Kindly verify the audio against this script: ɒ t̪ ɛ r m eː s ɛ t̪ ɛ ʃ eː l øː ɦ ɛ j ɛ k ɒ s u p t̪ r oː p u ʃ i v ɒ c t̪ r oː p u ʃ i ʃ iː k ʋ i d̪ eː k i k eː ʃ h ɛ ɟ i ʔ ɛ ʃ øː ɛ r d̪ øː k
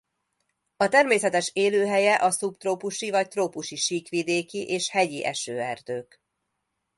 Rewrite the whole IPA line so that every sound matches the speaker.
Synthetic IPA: ɒ t̪ ɛ r m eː s ɛ t̪ ɛ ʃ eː l øː ɦ ɛ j ɛ ʔ ɒ s u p t̪ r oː p u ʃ i v ɒ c t̪ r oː p u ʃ i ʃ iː k ʋ i d̪ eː k i ʔ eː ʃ h ɛ ɟ i ʔ ɛ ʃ øː ɛ r d̪ øː k

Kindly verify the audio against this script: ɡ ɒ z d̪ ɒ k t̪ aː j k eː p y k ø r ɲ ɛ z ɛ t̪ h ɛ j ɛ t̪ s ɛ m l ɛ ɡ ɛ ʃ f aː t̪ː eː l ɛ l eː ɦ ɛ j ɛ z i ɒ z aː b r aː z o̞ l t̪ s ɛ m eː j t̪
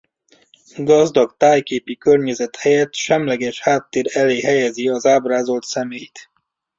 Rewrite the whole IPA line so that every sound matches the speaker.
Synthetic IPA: ɡ ɒ z d̪ ɒ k t̪ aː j k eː p i k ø r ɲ ɛ z ɛ t̪ h ɛ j ɛ t̪ ʃ ɛ m l ɛ ɡ ɛ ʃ h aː t̪ː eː ɾ ɛ l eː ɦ ɛ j ɛ z i ɒ z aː b r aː z o̞ l t̪ s ɛ m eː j t̪

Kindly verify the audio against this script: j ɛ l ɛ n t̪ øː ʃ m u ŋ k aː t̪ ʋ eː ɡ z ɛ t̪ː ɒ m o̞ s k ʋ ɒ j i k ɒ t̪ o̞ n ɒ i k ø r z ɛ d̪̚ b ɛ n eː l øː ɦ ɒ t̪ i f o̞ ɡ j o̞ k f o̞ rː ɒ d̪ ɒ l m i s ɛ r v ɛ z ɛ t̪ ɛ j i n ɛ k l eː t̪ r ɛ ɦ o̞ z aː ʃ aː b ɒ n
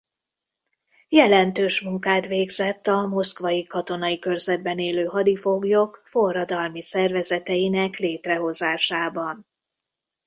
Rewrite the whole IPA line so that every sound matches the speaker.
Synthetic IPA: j ɛ l ɛ n t̪ øː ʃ m u ŋ k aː t̪ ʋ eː ɡ z ɛ t̪ː ɒ m o̞ s k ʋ ɒ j i k ɒ t̪ o̞ n ɒ i k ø r z ɛ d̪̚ b ɛ n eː l øː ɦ ɒ d̪ i f o̞ ɡ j o̞ k f o̞ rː ɒ d̪ ɒ l m i s ɛ r v ɛ z ɛ t̪ ɛ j i n ɛ k l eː t̪ r ɛ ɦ o̞ z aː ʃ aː b ɒ n

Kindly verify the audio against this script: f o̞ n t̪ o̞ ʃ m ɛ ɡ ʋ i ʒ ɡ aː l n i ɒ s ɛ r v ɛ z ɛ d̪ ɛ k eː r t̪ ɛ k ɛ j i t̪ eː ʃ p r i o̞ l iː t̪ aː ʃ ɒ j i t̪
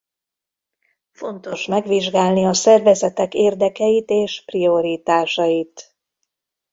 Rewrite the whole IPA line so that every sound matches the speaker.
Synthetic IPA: f o̞ n t̪ o̞ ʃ m ɛ ɡ ʋ i ʒ ɡ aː l n i ɒ s ɛ r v ɛ z ɛ t̪ ɛ k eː r d̪ ɛ k ɛ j i t̪ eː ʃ p r i o̞ ɾ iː t̪ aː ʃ ɒ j i t̪

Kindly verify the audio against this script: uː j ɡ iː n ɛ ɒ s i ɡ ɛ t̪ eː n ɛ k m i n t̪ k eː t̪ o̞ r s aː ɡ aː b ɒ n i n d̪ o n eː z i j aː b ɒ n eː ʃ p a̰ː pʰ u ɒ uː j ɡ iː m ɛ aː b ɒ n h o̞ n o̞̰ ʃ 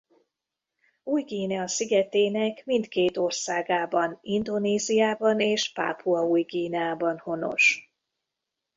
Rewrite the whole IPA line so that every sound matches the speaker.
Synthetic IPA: uː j ɡ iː n ɛ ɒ s i ɡ ɛ t̪ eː n ɛ k m i n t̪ k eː t̪ o̞ r s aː ɡ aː b ɒ n i n d̪ o n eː z i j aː b ɒ n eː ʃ p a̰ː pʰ u ɒ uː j ɡ iː n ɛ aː b ɒ n h o̞ n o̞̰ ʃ

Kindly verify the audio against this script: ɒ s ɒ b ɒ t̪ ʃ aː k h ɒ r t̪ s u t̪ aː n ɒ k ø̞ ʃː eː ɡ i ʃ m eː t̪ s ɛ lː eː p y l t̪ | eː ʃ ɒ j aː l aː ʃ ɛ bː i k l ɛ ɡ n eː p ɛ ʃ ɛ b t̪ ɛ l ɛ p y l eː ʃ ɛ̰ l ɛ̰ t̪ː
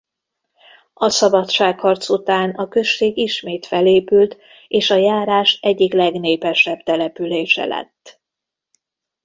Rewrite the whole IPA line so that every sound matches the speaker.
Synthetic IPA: ɒ s ɒ b ɒ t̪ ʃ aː k h ɒ r t̪ s u t̪ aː n ɒ k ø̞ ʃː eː ɡ i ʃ m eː t̪ f ɛ l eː p y l t̪ | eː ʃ ɒ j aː ɾ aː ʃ ɛ ɟː i k l ɛ ɡ n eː p ɛ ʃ ɛ b t̪ ɛ l ɛ p y l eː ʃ ɛ̰ l ɛ̰ t̪ː

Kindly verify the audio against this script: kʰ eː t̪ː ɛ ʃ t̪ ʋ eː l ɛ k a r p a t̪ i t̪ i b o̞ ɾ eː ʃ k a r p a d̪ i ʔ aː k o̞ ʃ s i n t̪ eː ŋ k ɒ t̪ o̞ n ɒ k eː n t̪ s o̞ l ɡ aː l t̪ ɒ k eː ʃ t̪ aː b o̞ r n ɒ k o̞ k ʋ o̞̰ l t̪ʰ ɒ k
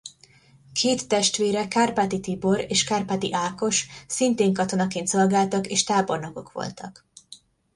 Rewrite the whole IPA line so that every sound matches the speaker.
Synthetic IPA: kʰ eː t̪ː ɛ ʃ t̪ ʋ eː ɾ ɛ k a r p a t̪ i t̪ i b o̞ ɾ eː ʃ k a r p a t̪ i ʔ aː k o̞ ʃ s i n t̪ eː ŋ k ɒ t̪ o̞ n ɒ k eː n t̪ s o̞ l ɡ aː l t̪ ɒ k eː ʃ t̪ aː b o̞ r n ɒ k o̞ k ʋ o̞̰ l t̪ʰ ɒ k

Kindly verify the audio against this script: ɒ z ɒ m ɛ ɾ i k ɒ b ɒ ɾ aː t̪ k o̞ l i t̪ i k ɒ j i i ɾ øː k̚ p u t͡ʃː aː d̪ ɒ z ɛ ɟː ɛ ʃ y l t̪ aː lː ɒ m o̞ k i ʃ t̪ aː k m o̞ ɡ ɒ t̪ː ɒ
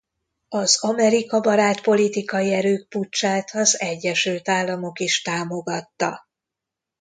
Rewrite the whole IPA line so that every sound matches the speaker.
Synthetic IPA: ɒ z ɒ m ɛ ɾ i k ɒ b ɒ ɾ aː t̪ p o̞ l i t̪ i k ɒ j i ɛ ɾ øː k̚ p u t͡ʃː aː t̪ ɒ z ɛ ɟː ɛ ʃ y l t̪ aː lː ɒ m o̞ k i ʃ t̪ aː m o̞ ɡ ɒ t̪ː ɒ

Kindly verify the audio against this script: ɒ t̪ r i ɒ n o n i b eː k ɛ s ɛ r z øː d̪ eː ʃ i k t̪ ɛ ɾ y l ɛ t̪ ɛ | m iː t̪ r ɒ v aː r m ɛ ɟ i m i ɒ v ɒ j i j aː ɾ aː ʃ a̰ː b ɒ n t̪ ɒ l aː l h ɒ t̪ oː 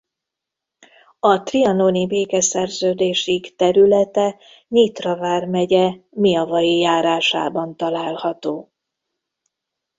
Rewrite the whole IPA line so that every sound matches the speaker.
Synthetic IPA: ɒ t̪ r i ɒ n o n i b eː k ɛ s ɛ r z øː d̪ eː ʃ i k t̪ ɛ ɾ y l ɛ t̪ ɛ | ɲ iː t̪ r ɒ v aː r m ɛ ɟ ɛ m i ɒ v ɒ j i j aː ɾ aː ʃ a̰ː b ɒ n t̪ ɒ l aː l h ɒ t̪ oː

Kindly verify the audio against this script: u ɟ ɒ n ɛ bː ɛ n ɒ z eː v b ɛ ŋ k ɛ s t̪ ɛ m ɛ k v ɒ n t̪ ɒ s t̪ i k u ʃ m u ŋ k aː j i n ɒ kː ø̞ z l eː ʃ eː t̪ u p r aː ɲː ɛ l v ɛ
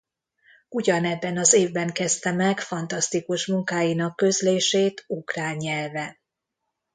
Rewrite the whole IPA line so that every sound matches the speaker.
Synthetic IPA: u ɟ ɒ n ɛ bː ɛ n ɒ z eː v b ɛ ŋ k ɛ s t̪ ɛ m ɛ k f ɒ n t̪ ɒ s t̪ i k u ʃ m u ŋ k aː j i n ɒ kː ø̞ z l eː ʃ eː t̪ u k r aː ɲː ɛ l v ɛ

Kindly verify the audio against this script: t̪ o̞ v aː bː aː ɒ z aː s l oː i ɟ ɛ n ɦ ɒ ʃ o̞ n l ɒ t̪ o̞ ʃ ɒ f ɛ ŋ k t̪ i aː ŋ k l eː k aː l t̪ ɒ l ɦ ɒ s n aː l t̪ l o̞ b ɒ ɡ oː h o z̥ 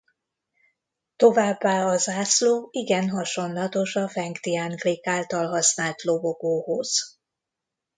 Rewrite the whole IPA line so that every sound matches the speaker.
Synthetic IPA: t̪ o̞ v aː bː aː ɒ z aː s l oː i ɡ ɛ n ɦ ɒ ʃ o̞ n l ɒ t̪ o̞ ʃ ɒ f ɛ ŋ k t̪ i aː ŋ k l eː k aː l t̪ ɒ l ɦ ɒ s n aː l t̪ l o̞ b o ɡ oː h o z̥

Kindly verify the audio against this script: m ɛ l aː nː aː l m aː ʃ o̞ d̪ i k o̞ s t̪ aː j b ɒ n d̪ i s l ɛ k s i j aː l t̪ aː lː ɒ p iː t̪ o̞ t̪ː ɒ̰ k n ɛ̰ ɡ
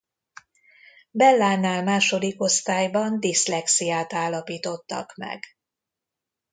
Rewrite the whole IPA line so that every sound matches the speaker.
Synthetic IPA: b ɛ lː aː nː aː l m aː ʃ o̞ d̪ i k o̞ s t̪ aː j b ɒ n d̪ i s l ɛ k s i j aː t̪ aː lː ɒ p iː t̪ o̞ t̪ː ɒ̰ k m ɛ̰ ɡ

